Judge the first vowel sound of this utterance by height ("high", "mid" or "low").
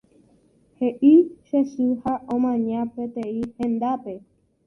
mid